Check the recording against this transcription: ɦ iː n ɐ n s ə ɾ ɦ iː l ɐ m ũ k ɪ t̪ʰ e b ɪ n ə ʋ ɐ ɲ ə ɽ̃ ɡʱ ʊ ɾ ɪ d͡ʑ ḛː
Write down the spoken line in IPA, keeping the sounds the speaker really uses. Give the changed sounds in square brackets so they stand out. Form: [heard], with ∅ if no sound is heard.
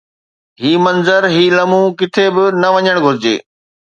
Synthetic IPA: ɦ iː [m] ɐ n [z] ə ɾ ɦ iː l ɐ m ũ k ɪ t̪ʰ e b ɪ n [ɐ] ʋ ɐ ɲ ə ɽ̃ ɡʱ ʊ ɾ ɪ d͡ʑ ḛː